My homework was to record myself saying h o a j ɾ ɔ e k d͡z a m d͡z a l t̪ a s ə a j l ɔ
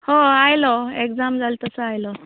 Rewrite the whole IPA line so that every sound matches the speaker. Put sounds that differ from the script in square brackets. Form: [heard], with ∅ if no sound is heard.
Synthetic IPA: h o a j [l] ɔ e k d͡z a m d͡z a l t̪ [ə] s ə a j l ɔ